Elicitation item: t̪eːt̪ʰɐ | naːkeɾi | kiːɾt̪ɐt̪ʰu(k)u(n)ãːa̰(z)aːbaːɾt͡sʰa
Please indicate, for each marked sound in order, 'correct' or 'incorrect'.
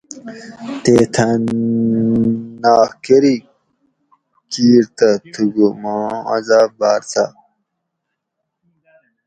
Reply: incorrect, incorrect, correct

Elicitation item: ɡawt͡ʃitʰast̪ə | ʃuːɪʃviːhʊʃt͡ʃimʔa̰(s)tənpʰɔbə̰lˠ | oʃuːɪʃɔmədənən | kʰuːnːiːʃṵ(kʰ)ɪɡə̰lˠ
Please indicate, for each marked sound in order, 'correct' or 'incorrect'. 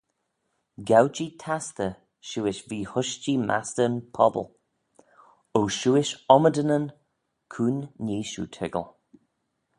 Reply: correct, incorrect

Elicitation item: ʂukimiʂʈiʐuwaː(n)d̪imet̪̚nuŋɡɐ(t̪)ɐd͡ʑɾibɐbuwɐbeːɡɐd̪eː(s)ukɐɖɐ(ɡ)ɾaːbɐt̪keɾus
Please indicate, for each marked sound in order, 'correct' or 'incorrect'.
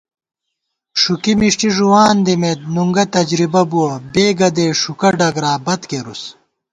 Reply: correct, correct, incorrect, correct

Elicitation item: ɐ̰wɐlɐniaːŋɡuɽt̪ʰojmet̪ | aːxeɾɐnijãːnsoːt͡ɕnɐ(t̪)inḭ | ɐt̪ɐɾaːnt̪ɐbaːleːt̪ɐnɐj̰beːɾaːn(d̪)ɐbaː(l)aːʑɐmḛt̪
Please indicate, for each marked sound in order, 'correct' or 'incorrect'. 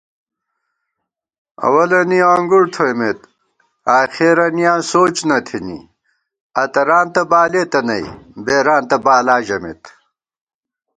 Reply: incorrect, incorrect, correct

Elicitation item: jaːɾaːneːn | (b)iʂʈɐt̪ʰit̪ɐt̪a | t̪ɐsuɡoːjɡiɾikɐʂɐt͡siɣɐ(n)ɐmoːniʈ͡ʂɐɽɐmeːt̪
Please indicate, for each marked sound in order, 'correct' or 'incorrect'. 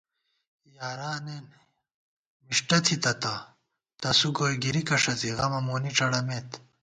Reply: incorrect, incorrect

